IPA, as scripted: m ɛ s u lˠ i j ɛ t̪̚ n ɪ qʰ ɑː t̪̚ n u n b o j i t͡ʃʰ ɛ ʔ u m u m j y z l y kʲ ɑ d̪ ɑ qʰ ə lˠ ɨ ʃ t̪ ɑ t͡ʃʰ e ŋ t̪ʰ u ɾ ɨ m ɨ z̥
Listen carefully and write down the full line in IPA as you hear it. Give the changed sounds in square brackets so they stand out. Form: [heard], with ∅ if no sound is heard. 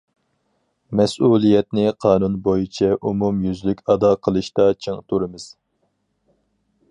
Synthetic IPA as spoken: m ɛ s u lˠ i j ɛ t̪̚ n ɪ qʰ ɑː [∅] n u n b o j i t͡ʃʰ ɛ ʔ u m u m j y z l y kʲ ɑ d̪ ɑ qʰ ə lˠ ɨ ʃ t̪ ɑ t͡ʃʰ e ŋ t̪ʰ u ɾ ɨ m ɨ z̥